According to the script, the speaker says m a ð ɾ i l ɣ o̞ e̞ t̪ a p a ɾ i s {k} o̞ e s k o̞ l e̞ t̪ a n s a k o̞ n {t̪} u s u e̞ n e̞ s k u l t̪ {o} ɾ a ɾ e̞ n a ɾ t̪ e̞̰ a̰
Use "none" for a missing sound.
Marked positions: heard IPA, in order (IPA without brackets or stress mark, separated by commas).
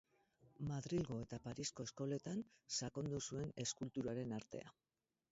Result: k, d̪, u